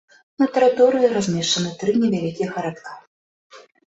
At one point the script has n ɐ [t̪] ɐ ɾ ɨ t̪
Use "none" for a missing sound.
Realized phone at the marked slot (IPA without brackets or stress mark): t̪